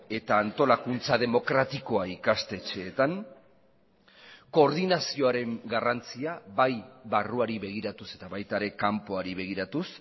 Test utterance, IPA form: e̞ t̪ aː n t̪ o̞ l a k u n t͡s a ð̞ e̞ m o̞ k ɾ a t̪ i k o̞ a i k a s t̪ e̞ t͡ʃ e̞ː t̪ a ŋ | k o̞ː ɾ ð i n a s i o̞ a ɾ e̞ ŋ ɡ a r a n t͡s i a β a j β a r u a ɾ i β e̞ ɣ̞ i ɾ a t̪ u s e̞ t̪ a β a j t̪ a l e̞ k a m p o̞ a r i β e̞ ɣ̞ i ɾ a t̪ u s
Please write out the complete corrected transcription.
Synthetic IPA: e̞ t̪ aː n t̪ o̞ l a k u n t͡s a ð̞ e̞ m o̞ k ɾ a t̪ i k o̞ a i k a s t̪ e̞ t͡ʃ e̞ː t̪ a ŋ | k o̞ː ɾ ð i n a s i o̞ a ɾ e̞ ŋ ɡ a r a n t͡s i a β a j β a r u a ɾ i β e̞ ɣ̞ i ɾ a t̪ u s e̞ t̪ a β a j t̪ a ɾ e̞ k a m p o̞ a ɾ i β e̞ ɣ̞ i ɾ a t̪ u s